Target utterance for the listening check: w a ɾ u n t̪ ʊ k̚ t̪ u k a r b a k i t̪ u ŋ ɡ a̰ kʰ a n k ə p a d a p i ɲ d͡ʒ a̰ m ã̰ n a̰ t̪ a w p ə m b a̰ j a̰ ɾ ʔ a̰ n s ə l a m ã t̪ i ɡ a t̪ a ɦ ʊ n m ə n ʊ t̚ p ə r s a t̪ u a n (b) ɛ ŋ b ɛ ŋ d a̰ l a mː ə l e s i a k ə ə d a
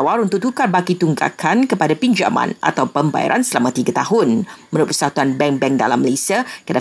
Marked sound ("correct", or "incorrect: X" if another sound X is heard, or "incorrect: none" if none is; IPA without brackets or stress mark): correct